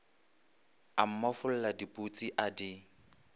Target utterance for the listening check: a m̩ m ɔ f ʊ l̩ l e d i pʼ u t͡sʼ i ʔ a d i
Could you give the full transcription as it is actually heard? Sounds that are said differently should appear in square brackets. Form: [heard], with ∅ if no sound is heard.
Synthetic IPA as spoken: a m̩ m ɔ f ʊ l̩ l [a] d i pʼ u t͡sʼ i ʔ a d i